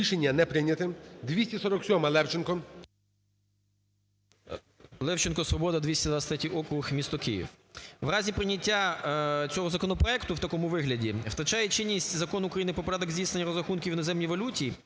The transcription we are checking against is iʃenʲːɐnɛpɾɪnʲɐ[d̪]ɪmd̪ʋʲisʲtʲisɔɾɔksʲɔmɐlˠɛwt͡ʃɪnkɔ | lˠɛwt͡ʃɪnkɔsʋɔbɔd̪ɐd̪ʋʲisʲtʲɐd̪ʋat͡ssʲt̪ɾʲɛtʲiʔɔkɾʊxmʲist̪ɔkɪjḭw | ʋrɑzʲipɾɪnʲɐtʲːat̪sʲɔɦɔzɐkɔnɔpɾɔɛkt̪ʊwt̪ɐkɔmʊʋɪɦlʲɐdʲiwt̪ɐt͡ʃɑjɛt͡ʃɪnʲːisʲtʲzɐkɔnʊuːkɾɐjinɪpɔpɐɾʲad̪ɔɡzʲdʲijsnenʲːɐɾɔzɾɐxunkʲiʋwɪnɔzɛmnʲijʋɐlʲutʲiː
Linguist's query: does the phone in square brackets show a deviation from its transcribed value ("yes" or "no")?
yes